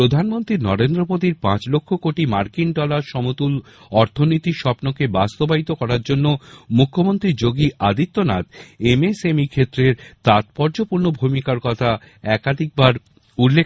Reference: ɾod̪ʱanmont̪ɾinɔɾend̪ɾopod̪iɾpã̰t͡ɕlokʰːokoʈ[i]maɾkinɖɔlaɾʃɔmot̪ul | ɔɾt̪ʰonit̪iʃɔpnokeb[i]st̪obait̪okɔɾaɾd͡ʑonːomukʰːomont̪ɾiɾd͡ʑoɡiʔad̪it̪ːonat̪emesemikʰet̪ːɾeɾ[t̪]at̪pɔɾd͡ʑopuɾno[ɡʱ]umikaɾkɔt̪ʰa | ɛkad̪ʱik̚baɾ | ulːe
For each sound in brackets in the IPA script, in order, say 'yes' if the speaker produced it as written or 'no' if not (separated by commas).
yes, no, yes, no